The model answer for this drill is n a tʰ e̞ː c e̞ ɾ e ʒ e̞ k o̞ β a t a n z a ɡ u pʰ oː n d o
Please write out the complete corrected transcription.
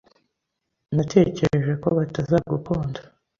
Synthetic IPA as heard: n a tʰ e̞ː c e̞ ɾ e ʒ e̞ k o̞ β a t a z a ɡ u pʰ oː n d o